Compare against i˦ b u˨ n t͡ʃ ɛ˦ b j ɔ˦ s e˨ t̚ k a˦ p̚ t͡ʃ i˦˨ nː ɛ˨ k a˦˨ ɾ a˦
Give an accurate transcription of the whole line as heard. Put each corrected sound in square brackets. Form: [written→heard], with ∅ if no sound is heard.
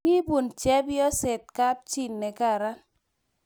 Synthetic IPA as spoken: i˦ b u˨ n t͡ʃ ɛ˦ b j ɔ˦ s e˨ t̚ k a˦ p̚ t͡ʃ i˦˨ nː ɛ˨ k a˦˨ ɾ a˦

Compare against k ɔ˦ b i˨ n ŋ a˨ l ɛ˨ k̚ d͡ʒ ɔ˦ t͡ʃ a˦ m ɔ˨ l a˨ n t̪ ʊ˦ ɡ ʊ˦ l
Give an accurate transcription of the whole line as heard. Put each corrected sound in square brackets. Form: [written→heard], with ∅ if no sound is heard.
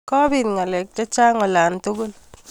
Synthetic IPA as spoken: k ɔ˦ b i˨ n ŋ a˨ l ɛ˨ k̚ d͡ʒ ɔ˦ t͡ʃ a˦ [m→ŋ] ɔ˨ l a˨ n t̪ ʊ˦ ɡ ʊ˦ l

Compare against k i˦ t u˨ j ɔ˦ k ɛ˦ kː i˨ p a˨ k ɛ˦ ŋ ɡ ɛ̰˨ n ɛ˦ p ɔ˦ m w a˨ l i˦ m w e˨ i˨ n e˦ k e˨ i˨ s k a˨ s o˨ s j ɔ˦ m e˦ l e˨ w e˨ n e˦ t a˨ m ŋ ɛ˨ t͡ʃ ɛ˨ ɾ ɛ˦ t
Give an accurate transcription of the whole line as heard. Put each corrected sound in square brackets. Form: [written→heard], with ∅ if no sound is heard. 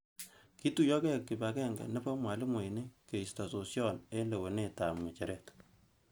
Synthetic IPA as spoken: k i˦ t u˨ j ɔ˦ k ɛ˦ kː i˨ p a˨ k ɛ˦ ŋ ɡ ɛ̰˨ n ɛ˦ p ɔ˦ m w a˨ l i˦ m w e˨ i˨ n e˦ k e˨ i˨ s [k→t] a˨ s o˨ s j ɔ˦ [m→n] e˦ l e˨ w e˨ n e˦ t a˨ m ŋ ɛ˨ t͡ʃ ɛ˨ ɾ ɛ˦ t

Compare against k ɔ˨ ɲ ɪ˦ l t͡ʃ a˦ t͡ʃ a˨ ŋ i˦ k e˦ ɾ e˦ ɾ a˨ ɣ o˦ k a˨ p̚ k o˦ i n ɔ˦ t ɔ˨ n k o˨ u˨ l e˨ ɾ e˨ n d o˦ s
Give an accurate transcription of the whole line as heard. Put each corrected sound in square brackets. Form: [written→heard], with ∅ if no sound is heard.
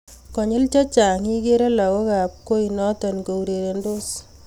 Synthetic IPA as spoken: k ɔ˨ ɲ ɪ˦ l t͡ʃ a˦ t͡ʃ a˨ ŋ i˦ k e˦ ɾ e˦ [ɾ→l] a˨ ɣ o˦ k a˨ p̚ k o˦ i n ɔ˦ t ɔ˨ n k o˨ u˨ [l→ɾ] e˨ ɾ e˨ n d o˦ s

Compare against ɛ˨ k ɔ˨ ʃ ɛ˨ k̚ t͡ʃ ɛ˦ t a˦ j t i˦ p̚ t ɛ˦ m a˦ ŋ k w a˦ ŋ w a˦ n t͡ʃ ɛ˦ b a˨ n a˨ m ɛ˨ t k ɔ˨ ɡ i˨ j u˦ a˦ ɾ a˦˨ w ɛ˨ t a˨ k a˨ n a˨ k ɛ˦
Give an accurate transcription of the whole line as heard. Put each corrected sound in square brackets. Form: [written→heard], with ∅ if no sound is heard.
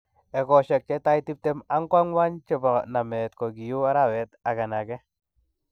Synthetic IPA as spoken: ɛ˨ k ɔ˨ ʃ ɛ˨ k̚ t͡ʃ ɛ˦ t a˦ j t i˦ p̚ t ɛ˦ m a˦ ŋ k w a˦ ŋ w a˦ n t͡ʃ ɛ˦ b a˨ n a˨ m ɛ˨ t k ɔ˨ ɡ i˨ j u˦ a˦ ɾ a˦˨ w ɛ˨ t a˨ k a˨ n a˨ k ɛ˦

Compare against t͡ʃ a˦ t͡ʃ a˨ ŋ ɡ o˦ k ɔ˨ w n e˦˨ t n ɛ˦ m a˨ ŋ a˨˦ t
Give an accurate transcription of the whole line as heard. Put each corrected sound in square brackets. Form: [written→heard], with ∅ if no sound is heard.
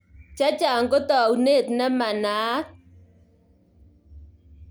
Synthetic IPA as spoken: t͡ʃ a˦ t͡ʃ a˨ ŋ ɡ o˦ [k→t] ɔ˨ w n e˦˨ t n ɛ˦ m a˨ [ŋ→n] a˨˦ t

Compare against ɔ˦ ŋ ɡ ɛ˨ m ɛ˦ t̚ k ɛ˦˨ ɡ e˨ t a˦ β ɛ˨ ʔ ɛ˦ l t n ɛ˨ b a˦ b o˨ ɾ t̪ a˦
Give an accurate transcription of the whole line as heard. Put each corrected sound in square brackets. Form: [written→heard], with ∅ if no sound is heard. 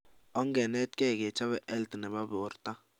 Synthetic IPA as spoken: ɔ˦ ŋ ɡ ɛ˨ [m→n] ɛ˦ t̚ k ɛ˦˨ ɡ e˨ [t→t͡ʃ] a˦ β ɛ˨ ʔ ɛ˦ l t n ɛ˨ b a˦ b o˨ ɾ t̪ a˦

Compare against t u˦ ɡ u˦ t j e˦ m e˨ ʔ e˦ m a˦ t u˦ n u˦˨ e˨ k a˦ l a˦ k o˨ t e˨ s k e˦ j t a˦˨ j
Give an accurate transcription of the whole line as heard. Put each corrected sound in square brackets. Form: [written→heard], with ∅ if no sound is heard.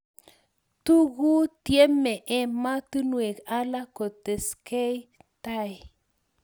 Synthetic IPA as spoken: t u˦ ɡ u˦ t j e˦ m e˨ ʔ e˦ m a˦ t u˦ n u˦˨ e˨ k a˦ l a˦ k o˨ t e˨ s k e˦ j t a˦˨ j

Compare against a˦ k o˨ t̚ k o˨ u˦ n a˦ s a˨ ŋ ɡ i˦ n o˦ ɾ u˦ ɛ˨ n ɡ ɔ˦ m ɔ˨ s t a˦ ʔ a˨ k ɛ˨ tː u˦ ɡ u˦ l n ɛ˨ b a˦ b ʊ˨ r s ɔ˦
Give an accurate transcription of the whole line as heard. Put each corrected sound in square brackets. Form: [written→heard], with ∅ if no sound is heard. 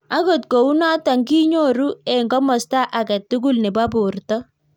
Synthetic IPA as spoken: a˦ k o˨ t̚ k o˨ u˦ n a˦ [s→t] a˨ ŋ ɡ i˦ [n→ɲ] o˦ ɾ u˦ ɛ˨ [n→ŋ] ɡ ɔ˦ m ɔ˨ s t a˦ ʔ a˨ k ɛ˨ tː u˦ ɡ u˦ l n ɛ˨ b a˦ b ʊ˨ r [s→t] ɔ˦

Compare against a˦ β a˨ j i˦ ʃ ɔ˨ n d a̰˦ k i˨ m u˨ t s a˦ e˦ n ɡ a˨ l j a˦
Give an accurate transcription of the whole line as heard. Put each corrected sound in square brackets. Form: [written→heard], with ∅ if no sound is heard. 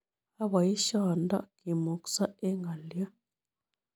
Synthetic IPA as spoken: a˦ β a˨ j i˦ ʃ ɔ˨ n d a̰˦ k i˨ m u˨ [t→k] s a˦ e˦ [n→ŋ] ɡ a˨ l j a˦

